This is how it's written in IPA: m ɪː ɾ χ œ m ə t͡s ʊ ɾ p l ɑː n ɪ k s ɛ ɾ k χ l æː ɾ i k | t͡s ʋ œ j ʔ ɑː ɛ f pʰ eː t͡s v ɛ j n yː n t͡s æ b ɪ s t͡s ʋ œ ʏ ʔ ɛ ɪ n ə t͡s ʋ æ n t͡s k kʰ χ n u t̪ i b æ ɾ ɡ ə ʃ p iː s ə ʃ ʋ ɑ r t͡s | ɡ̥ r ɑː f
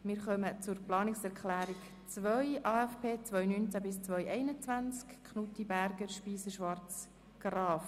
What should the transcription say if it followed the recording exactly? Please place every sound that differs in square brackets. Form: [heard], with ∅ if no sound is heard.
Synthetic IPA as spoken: m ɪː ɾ χ œ m ə t͡s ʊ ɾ p l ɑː n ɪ k s ɛ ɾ k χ l æː ɾ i k | t͡s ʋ œ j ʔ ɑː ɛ f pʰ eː t͡s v [œ] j n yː n t͡s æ b ɪ s t͡s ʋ œ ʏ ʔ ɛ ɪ n ə t͡s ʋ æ n t͡s k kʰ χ n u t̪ i b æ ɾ ɡ ə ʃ p iː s ə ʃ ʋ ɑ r t͡s | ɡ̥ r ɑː f